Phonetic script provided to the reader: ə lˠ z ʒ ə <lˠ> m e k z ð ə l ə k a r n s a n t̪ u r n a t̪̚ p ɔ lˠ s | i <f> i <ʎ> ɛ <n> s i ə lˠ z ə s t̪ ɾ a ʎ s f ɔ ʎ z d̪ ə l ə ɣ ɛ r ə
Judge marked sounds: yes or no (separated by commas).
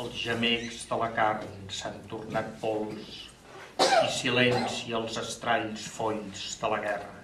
no, no, no, yes